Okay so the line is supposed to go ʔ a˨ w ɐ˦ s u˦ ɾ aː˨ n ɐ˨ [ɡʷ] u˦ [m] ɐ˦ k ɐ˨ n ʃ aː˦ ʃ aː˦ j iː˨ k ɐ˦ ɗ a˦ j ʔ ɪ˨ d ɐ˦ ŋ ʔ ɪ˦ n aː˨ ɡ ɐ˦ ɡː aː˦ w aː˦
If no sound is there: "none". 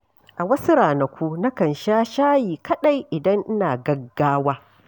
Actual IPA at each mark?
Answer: kʷ, n

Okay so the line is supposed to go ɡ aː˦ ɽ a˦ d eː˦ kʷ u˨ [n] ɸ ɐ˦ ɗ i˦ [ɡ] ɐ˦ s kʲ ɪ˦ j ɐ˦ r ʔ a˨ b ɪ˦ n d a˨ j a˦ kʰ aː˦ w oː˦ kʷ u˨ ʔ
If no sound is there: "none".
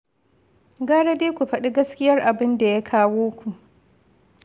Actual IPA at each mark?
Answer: none, ɡ

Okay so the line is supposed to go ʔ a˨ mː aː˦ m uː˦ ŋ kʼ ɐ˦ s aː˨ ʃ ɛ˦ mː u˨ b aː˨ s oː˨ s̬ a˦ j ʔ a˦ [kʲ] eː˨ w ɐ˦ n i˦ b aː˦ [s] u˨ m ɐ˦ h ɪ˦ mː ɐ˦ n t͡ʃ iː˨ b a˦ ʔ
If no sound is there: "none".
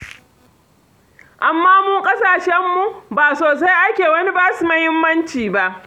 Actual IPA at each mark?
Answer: kʲ, s

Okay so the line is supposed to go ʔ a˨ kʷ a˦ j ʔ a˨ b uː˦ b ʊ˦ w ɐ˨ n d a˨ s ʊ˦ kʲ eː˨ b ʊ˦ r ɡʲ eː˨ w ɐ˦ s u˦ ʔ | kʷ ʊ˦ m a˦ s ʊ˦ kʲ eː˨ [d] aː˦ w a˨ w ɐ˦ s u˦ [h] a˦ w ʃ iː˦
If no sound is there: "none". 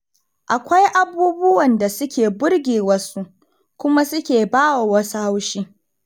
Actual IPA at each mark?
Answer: b, h

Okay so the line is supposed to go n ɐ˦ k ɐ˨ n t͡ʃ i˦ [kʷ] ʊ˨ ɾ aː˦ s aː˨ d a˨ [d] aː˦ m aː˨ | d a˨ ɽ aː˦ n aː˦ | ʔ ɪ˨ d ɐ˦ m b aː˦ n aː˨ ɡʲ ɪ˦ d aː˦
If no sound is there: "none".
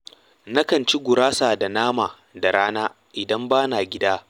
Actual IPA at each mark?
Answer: ɡʷ, n

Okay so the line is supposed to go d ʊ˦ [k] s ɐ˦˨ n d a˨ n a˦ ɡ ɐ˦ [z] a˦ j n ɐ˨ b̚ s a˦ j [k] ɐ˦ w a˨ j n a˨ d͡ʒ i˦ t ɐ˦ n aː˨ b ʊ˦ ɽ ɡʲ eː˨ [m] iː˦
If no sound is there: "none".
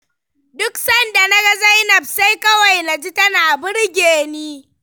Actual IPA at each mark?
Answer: k, z, k, n

